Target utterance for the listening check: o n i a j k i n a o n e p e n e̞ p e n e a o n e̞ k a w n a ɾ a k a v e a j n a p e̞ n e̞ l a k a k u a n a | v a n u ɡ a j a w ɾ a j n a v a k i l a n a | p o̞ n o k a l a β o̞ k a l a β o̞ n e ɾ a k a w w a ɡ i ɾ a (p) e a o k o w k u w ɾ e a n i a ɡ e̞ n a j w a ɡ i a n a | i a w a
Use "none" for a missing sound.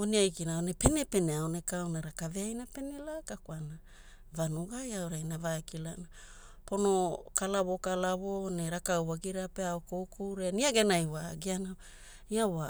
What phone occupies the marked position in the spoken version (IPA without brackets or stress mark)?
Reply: p